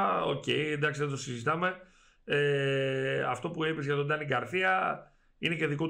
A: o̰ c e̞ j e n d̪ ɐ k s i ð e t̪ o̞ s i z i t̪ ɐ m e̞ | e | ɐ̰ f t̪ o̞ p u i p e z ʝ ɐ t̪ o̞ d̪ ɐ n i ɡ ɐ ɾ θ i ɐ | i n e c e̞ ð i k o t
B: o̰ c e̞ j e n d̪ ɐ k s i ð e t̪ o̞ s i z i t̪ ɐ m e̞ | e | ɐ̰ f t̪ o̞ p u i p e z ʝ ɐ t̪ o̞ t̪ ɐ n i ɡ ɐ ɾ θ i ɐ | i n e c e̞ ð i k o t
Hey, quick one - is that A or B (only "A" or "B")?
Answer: A